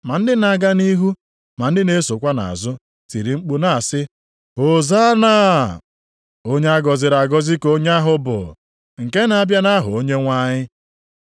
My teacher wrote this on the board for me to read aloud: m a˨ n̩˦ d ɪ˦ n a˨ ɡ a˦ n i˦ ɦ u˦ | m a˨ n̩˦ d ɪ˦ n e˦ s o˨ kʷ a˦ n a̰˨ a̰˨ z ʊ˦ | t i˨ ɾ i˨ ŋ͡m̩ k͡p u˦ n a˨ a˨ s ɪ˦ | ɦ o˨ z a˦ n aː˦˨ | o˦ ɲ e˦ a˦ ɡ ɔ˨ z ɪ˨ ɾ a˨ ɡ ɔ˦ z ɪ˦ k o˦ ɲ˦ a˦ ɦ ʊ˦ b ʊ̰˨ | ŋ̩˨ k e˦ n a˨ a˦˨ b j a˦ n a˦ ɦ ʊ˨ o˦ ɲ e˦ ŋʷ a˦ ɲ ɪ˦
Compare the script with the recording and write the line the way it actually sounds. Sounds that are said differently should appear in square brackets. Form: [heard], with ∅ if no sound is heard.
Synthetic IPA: m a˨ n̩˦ d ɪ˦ n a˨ ɡ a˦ n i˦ ɦ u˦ | m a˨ n̩˦ d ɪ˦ n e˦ s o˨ kʷ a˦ n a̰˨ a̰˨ z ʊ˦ | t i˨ ɾ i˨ ŋ͡m̩ k͡p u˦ n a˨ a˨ s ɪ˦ | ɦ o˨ z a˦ n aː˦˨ | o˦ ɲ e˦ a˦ ɡ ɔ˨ z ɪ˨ ɾ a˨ ɡ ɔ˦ z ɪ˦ k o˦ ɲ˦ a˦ ɦ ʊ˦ b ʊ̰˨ | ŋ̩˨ k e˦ n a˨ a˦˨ b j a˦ n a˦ ɦ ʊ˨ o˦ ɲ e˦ ŋʷ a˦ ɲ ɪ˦